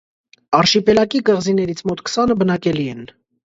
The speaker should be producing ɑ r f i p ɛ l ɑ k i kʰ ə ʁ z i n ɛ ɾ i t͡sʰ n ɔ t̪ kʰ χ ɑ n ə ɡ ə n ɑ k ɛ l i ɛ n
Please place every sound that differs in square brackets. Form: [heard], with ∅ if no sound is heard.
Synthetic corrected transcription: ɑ r [ʃ] i p ɛ l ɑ k i [k] ə ʁ z i n ɛ ɾ i t͡sʰ [m] ɔ t̪ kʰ [s] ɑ n ə [b] ə n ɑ k ɛ l i ɛ n